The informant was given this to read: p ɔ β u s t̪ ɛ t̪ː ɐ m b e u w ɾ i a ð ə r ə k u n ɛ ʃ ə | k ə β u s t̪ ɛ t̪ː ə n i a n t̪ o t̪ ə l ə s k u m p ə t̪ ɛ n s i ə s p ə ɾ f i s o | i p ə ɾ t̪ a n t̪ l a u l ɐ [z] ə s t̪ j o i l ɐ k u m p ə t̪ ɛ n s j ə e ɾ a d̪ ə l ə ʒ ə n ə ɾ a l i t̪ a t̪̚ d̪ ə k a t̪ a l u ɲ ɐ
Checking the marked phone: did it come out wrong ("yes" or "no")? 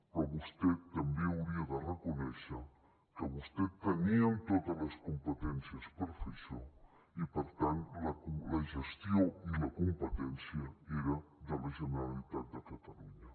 yes